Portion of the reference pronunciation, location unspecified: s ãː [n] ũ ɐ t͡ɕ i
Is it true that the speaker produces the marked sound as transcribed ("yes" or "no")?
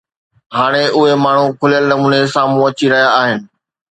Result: no